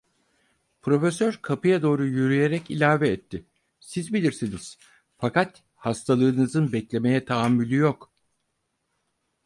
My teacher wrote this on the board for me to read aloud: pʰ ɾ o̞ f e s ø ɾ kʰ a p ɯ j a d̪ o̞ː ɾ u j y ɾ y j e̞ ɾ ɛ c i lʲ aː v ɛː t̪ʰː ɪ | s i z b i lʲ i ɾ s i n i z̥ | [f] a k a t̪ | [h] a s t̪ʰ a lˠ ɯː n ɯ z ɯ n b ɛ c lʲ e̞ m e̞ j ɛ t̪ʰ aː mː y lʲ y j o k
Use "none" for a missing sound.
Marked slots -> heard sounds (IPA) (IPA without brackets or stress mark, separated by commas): f, h